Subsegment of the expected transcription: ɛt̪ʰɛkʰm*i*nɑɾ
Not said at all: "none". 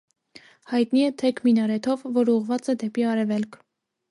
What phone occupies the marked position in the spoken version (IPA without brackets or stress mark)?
i